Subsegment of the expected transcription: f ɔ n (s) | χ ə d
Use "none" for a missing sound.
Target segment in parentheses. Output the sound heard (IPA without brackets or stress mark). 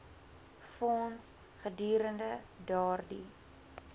s